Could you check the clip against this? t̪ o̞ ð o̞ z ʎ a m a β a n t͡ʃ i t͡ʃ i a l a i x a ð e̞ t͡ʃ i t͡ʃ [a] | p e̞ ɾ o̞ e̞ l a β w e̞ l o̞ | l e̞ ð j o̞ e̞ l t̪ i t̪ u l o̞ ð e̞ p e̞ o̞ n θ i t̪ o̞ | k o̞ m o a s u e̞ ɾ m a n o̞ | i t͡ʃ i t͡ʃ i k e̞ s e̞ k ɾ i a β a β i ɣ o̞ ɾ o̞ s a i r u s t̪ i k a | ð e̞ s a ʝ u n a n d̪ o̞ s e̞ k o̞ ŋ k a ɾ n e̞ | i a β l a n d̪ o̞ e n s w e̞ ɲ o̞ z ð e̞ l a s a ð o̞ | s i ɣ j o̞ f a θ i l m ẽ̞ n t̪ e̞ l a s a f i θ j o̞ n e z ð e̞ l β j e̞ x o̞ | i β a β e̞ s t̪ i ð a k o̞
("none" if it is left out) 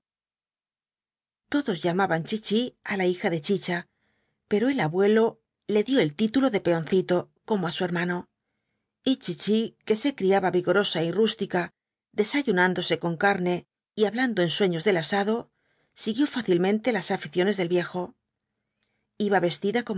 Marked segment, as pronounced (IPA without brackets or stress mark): a